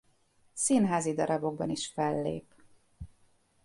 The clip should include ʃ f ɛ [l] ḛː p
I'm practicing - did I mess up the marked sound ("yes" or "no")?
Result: yes